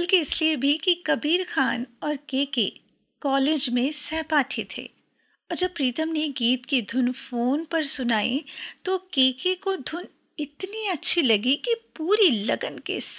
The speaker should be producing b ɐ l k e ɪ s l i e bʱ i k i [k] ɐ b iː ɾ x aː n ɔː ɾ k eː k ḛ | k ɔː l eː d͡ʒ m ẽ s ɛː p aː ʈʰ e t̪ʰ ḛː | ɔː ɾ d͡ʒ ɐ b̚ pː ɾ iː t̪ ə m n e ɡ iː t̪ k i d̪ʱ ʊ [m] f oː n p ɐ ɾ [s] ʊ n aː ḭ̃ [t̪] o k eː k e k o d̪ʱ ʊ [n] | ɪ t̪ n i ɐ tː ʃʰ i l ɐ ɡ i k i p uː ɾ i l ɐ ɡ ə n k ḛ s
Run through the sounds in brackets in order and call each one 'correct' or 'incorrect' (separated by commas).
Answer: correct, incorrect, correct, correct, correct